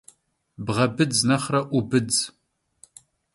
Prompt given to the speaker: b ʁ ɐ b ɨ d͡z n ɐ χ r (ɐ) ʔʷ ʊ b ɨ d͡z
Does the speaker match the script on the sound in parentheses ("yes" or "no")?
yes